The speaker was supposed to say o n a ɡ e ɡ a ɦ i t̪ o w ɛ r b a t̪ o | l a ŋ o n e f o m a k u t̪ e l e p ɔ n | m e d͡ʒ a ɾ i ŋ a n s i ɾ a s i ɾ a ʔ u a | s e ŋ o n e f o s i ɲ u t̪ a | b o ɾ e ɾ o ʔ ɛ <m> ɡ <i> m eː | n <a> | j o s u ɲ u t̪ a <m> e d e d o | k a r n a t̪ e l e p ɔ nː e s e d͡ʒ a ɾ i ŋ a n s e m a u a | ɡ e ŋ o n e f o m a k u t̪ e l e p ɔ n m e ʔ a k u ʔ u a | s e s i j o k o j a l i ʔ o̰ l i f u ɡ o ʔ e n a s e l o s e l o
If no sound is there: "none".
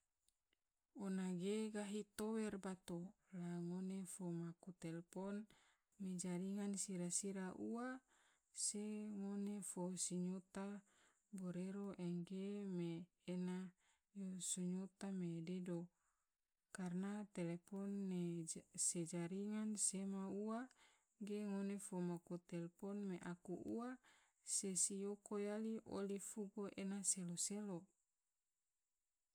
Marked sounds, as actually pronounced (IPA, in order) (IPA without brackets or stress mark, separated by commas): ŋ, e, a, m